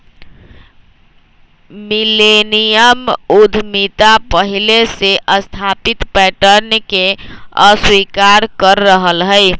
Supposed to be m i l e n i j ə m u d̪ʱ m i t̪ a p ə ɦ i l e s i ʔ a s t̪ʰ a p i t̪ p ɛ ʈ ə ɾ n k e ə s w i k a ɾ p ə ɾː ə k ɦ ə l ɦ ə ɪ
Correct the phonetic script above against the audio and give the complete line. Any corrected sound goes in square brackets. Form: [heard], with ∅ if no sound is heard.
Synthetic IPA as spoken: m i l e n i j ə m u d̪ʱ m i t̪ a p ə ɦ i l e s [e] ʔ [ə] s t̪ʰ a p i t̪ p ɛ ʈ ə ɾ n k e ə s w i k a ɾ [k] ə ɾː ə [∅] ɦ ə l ɦ ə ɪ